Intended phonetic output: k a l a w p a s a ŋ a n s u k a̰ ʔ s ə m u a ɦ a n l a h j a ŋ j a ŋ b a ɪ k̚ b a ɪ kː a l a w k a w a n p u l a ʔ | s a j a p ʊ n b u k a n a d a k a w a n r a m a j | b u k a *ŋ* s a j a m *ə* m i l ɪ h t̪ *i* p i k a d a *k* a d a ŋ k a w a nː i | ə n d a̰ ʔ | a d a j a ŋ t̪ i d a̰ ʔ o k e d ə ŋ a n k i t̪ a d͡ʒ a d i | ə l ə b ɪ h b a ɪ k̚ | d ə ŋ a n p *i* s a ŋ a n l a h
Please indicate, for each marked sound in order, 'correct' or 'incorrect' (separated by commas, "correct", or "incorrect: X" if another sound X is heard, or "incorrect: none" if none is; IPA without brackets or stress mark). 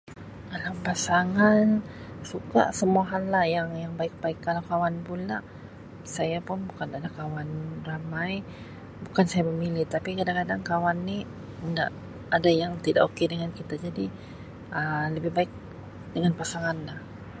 incorrect: n, correct, incorrect: a, correct, incorrect: a